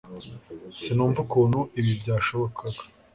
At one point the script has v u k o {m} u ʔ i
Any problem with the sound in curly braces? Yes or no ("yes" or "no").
yes